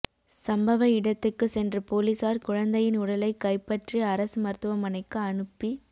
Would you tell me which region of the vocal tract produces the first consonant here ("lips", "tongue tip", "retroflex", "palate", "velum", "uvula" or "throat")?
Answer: tongue tip